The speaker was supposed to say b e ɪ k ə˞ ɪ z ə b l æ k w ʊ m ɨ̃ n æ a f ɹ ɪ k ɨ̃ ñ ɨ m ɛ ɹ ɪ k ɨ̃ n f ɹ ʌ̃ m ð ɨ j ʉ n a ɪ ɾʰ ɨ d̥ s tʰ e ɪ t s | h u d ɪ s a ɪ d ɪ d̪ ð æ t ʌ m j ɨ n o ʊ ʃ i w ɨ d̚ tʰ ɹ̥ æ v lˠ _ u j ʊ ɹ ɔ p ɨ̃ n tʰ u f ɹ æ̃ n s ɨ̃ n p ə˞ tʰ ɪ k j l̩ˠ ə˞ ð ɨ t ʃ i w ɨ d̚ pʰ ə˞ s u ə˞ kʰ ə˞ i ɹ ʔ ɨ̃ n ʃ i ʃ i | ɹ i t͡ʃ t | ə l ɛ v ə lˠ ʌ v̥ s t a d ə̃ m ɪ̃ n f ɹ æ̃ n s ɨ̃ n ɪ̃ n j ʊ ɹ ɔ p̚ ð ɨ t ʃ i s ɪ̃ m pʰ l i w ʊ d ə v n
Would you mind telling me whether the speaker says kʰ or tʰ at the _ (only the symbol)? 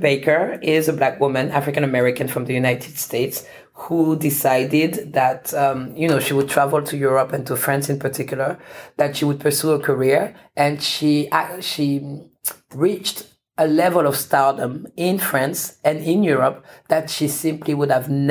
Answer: tʰ